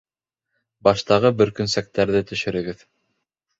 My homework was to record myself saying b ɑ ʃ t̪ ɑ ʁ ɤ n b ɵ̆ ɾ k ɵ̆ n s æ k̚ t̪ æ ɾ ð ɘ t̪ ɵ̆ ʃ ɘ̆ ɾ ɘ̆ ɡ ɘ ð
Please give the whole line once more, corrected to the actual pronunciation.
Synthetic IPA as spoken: b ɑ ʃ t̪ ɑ ʁ ɤ b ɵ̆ ɾ k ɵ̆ n s æ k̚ t̪ æ ɾ ð ɘ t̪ ɵ̆ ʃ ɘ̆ ɾ ɘ̆ ɡ ɘ ð